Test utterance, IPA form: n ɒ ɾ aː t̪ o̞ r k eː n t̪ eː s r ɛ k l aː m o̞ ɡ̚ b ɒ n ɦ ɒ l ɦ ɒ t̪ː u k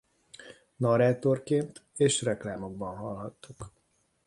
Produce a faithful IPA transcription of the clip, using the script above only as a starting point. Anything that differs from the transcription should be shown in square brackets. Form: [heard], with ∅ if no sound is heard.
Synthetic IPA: n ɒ ɾ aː t̪ o̞ r k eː n t̪ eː [ʃ] r ɛ k l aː m o̞ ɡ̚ b ɒ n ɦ ɒ l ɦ ɒ t̪ː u k